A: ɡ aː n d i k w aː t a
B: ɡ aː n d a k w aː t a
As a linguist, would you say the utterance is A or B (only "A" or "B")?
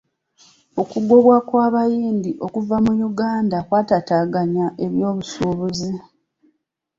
B